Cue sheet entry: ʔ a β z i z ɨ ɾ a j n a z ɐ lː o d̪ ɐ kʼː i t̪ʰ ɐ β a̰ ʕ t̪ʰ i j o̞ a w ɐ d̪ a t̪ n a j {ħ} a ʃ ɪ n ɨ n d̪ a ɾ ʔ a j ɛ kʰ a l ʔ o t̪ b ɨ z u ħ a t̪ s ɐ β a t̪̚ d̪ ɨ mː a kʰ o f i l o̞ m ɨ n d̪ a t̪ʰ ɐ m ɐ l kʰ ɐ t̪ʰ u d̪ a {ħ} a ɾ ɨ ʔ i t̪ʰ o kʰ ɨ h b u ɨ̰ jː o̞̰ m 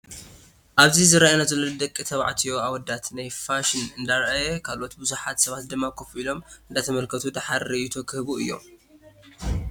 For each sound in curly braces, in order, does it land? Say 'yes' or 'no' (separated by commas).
no, yes